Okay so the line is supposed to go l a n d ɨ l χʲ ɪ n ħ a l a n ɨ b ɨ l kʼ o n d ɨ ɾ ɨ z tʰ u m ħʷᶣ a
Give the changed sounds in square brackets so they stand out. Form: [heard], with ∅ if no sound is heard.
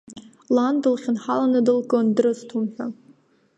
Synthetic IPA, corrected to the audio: l a n d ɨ l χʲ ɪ n ħ a l a n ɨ [d] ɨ l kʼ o n d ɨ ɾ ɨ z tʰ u m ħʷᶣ a